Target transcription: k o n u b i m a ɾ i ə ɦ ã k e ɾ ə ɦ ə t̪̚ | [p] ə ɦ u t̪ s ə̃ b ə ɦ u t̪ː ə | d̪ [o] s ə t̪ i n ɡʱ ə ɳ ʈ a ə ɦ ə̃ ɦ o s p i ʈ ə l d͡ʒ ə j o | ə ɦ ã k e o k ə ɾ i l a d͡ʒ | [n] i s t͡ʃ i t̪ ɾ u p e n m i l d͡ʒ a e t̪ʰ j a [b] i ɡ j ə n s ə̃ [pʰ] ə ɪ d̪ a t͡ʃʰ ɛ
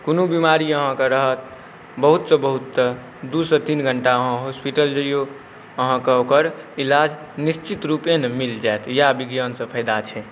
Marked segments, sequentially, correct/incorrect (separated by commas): incorrect, incorrect, correct, correct, correct